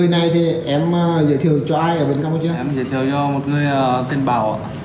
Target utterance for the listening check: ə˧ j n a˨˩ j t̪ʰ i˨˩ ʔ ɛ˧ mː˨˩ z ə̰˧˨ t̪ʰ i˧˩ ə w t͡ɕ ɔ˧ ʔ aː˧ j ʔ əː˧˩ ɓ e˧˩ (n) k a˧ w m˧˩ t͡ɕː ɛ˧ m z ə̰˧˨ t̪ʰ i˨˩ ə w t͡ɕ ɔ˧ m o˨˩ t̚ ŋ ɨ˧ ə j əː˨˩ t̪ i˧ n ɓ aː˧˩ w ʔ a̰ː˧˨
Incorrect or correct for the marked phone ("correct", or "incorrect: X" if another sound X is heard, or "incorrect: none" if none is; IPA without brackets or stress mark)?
correct